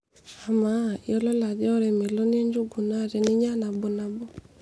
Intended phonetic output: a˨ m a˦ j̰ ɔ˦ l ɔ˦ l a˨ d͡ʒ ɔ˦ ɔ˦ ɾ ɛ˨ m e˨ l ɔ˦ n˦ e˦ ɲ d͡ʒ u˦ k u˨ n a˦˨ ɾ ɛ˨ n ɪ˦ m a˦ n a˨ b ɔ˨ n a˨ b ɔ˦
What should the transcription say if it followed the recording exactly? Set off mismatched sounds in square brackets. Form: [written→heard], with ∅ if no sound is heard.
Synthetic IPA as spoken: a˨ m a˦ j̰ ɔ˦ l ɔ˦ l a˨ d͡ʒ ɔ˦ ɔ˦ ɾ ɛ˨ m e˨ l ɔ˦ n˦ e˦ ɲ d͡ʒ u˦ [k→ɡ] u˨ n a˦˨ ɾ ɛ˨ n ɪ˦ [m→ɲ] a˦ n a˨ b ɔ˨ n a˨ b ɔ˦